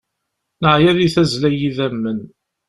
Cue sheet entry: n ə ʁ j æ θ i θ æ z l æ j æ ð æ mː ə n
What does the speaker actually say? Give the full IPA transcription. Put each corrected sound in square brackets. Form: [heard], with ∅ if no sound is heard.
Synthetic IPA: n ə [ʕ] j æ [ð] i θ æ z l æ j [i] ð æ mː ə n

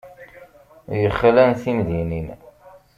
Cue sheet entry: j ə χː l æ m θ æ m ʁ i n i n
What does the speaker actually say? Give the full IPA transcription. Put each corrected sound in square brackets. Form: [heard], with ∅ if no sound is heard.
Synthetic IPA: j ə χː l æ [n] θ [i] m [ð] i n i n

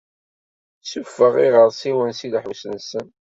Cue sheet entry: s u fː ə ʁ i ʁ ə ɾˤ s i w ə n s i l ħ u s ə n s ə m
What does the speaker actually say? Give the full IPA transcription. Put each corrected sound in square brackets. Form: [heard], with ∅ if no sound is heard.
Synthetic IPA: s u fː ə ʁ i ʁ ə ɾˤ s i w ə n s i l ħ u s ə n s ə [n]

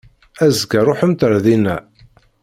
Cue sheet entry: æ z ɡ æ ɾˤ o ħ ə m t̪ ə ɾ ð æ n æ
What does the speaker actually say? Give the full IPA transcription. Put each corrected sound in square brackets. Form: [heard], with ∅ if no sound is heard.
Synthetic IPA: æ z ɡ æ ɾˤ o ħ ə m t̪ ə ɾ ð [i] n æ

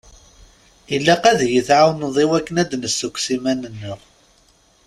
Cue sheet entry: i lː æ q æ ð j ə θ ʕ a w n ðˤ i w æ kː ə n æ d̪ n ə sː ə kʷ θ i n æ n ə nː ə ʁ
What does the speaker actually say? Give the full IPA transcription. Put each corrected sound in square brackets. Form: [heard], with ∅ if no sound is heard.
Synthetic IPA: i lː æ q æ ð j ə θ ʕ a w n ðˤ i w æ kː ə n æ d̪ n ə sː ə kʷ [s] i [m] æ n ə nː ə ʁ

